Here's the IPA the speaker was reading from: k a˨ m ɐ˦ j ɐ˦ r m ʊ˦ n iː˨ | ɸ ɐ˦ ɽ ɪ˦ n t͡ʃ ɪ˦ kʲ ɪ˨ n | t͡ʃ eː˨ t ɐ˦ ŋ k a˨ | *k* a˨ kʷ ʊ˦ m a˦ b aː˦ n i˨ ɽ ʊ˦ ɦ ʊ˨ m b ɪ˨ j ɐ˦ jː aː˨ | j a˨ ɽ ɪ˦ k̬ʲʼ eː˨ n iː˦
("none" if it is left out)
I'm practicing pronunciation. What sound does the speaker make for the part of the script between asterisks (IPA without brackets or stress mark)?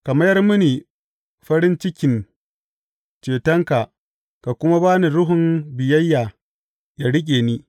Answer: k